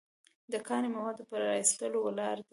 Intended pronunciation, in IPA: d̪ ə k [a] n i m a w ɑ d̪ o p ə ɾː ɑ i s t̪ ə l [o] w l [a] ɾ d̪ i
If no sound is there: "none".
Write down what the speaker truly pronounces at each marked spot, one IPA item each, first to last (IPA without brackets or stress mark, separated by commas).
ɑ, o, ɑ